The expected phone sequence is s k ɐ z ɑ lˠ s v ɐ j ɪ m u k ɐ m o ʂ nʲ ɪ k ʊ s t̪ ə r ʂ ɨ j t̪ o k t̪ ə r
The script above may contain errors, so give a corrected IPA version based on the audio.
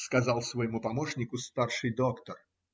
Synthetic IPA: s k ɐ z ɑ lˠ s v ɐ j ɪ m u p ɐ m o ʂ nʲ ɪ k ʊ s t̪ a r ʂ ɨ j d̪ o k t̪ ə r